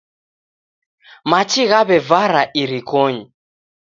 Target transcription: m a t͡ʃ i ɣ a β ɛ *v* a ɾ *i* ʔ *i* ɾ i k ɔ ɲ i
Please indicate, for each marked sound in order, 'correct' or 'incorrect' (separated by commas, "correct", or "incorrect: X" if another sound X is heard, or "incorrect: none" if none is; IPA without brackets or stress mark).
correct, incorrect: a, correct